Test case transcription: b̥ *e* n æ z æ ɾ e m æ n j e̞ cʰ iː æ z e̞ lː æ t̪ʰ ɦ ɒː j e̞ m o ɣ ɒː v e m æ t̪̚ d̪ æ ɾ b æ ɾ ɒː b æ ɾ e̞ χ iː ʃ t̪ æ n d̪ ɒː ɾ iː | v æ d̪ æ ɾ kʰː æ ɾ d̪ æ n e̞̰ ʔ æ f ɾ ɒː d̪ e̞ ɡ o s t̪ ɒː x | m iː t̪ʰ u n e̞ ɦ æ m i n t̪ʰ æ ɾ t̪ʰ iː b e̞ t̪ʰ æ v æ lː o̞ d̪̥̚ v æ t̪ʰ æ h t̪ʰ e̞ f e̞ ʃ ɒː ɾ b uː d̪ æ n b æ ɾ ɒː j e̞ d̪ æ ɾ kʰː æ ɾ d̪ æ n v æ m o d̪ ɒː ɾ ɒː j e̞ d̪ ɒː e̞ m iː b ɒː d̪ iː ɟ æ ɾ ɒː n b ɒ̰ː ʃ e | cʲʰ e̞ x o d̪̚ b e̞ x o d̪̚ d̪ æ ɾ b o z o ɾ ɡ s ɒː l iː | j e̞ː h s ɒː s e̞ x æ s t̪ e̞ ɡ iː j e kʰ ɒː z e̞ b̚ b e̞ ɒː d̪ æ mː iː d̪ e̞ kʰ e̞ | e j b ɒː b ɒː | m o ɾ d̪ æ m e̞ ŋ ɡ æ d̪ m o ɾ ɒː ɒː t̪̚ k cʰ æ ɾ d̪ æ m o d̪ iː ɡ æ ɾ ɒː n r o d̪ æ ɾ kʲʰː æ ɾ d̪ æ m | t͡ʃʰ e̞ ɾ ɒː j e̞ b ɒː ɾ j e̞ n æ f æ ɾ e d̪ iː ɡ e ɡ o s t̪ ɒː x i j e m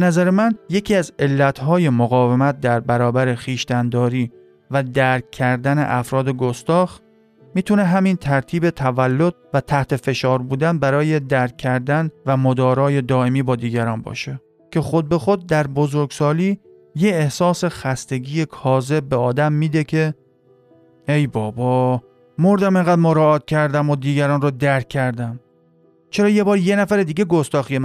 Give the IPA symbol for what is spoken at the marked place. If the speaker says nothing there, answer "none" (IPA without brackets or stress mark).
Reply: e